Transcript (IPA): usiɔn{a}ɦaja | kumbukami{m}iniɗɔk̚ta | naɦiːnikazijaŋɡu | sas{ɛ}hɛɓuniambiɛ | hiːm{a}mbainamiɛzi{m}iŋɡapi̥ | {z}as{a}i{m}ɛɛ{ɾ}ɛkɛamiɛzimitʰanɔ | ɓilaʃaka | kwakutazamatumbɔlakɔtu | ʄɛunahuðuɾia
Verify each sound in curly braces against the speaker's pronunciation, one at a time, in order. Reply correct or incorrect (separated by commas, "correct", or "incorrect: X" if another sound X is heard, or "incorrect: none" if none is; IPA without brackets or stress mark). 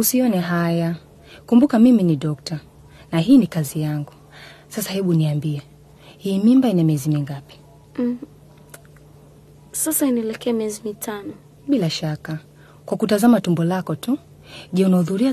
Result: incorrect: ɛ, correct, incorrect: a, incorrect: i, correct, incorrect: s, correct, incorrect: n, incorrect: l